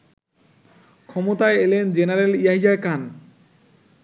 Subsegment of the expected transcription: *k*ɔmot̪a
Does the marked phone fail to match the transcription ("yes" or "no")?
yes